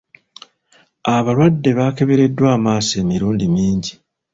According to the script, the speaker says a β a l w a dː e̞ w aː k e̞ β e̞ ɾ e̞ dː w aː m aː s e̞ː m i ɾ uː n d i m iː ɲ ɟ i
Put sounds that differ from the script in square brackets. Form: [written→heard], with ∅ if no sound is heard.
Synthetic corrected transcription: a β a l w a dː e̞ [w→β] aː k e̞ β e̞ ɾ e̞ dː w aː m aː s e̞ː m i ɾ uː n d i m iː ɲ ɟ i